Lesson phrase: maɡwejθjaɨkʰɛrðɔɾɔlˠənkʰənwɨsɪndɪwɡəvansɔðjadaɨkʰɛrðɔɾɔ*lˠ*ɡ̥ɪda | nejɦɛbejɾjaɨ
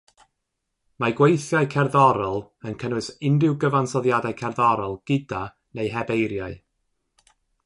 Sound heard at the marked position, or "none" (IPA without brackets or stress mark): lˠ